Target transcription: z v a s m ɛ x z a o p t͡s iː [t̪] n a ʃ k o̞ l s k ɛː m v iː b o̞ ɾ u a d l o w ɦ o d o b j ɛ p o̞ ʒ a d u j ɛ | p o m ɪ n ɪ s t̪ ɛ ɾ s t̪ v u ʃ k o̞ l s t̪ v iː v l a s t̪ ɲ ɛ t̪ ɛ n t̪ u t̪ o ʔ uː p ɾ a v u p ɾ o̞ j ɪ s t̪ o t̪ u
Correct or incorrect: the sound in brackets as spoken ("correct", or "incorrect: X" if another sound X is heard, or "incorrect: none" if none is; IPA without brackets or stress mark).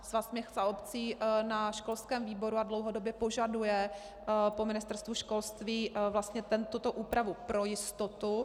incorrect: none